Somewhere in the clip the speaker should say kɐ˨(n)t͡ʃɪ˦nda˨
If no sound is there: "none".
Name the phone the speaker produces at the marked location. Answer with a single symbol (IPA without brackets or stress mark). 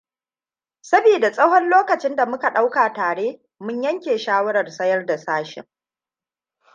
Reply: none